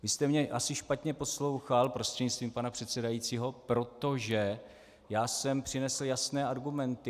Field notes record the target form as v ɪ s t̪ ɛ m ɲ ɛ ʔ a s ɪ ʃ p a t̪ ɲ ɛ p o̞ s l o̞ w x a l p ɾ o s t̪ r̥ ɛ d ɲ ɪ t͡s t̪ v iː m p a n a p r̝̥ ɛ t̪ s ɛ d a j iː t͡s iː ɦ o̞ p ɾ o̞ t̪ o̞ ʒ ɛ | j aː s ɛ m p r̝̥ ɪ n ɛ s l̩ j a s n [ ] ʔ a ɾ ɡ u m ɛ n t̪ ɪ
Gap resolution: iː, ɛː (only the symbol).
ɛː